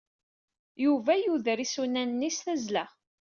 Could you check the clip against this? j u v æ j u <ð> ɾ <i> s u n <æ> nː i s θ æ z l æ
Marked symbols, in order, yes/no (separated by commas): yes, yes, yes